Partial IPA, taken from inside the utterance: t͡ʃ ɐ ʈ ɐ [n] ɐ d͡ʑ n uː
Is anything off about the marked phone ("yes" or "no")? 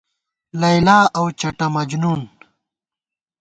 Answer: yes